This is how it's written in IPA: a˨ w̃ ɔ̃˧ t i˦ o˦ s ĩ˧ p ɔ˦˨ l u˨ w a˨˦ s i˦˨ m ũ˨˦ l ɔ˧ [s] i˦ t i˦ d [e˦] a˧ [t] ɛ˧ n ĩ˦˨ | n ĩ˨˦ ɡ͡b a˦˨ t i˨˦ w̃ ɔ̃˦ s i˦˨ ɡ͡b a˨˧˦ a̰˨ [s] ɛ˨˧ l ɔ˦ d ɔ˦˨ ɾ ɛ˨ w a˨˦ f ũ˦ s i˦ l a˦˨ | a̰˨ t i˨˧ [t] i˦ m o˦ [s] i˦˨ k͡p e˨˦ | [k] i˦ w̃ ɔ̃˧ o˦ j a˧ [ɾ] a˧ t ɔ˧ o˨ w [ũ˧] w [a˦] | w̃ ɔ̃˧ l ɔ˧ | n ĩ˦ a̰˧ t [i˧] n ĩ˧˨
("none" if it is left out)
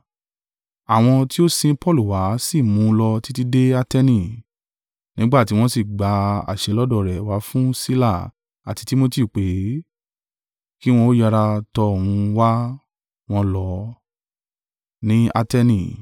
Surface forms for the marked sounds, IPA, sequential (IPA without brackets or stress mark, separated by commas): t, e˦, t, ʃ, t, t, k, ɾ, ũ˧, a˦, ɛ˧